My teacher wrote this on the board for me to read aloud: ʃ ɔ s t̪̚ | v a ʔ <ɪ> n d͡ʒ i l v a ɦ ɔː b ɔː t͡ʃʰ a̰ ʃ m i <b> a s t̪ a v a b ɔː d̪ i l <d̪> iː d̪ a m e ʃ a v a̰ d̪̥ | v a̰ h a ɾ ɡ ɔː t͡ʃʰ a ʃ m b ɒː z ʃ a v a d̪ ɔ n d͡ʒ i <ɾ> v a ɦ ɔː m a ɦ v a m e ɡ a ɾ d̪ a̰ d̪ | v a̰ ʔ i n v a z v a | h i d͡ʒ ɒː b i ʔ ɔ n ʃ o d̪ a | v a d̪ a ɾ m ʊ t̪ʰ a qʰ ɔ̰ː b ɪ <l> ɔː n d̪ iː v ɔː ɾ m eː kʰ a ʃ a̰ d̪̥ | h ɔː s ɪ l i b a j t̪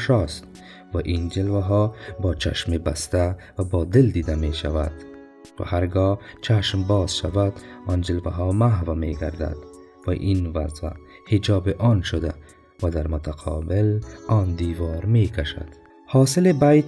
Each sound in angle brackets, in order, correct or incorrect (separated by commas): incorrect, correct, correct, incorrect, correct